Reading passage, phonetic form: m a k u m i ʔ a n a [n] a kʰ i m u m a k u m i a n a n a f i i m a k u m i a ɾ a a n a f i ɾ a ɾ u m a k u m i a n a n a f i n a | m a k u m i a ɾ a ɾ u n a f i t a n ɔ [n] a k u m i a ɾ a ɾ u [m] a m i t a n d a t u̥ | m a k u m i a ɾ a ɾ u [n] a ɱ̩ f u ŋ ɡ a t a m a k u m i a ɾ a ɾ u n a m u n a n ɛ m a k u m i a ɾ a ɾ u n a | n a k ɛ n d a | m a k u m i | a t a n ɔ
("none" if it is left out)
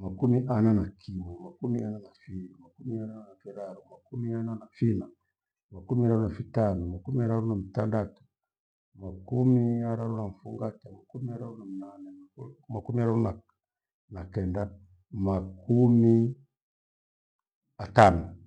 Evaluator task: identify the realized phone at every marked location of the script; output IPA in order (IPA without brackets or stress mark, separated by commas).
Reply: n, m, n, n